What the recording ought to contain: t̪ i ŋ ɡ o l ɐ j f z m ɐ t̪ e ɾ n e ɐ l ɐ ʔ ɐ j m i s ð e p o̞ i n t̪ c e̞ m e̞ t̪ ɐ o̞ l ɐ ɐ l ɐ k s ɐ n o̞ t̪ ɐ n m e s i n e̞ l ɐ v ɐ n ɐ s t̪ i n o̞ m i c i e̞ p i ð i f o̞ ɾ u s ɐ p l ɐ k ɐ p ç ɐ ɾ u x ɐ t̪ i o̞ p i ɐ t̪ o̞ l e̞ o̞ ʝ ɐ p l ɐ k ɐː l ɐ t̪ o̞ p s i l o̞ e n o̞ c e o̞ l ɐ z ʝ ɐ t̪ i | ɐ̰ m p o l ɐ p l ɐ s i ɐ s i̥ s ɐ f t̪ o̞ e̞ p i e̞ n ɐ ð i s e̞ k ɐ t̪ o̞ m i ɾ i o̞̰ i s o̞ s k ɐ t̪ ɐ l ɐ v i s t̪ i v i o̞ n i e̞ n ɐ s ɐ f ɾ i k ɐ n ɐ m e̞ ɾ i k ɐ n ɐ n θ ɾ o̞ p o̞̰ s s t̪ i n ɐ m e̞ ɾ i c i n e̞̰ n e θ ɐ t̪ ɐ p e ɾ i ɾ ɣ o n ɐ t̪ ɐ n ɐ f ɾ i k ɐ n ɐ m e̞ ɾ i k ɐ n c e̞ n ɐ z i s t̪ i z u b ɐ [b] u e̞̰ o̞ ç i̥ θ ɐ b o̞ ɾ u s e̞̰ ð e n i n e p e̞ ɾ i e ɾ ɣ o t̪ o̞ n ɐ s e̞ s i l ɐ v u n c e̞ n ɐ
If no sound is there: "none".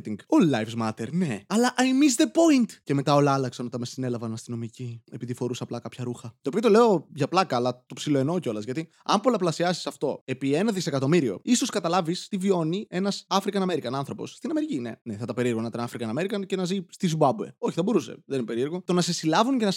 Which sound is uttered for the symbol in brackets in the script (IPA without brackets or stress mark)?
b